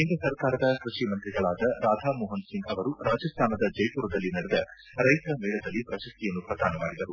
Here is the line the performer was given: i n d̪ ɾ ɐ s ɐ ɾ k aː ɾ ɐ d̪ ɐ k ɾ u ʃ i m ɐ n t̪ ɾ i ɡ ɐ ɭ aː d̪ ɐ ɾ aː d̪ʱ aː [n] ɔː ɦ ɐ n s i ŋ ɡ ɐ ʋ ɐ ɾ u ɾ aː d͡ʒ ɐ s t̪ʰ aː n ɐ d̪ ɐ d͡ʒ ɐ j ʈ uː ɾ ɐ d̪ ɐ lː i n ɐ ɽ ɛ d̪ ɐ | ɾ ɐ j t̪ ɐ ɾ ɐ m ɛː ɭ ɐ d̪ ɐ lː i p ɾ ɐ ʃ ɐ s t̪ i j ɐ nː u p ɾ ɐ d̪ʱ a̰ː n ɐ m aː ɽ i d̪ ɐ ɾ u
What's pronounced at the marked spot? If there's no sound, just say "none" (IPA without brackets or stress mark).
m